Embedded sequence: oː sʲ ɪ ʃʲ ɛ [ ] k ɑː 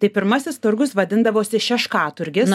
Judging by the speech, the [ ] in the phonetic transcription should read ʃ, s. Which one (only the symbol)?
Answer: ʃ